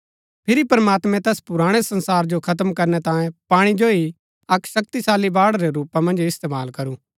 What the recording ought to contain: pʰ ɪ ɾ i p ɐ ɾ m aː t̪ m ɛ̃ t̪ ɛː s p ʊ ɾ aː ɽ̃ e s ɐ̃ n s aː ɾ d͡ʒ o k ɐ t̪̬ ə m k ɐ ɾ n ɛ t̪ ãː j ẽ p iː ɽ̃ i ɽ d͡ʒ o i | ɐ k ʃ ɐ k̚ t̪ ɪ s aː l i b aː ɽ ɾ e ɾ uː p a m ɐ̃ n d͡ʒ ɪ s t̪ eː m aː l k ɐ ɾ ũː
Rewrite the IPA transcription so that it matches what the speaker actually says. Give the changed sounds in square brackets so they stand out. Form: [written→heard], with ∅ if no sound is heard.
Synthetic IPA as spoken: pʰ ɪ ɾ i p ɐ ɾ m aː t̪ m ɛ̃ t̪ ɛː s p ʊ ɾ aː ɽ̃ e s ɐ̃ n s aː ɾ d͡ʒ o [k→kʰ] ɐ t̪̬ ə m k ɐ ɾ n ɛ t̪ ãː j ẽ p [iː→aː] ɽ̃ i [ɽ→∅] d͡ʒ o i | ɐ k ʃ ɐ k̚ t̪ [ɪ→i] s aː l i b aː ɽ ɾ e ɾ uː p a m ɐ̃ n d͡ʒ ɪ s t̪ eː m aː l k ɐ ɾ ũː